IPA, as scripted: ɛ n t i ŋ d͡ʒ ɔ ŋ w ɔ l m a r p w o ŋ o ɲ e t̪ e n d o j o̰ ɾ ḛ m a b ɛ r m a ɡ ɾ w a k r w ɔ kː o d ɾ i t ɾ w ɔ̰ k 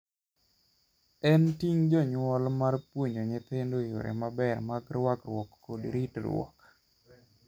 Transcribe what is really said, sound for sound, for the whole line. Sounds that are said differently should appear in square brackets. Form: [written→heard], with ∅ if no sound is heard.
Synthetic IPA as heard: ɛ n t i ŋ d͡ʒ ɔ [ŋ→ɲ] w ɔ l m a r p w o [ŋ→ɲ] o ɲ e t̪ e n d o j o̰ ɾ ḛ m a b ɛ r m a ɡ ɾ w a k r w ɔ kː o d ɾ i t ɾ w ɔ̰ k